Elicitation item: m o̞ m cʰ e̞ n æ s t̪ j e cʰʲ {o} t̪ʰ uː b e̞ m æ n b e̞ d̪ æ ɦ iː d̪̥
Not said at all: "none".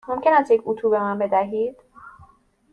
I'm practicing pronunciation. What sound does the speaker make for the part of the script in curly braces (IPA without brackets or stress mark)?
u